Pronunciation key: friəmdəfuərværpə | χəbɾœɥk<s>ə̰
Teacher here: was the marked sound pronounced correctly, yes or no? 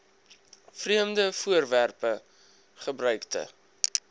no